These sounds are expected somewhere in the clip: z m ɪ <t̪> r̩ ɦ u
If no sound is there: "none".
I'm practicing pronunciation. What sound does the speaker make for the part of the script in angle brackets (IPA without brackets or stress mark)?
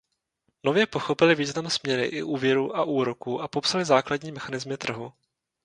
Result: t̪